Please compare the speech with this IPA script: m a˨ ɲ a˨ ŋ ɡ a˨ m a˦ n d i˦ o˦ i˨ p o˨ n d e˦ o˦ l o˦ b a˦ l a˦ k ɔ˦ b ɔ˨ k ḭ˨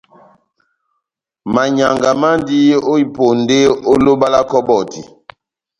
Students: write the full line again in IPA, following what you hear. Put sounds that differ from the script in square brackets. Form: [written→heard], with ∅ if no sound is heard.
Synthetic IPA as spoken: m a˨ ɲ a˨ ŋ ɡ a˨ m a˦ n d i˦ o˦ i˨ p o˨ n d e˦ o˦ l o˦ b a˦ l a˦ k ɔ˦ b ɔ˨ [k→t] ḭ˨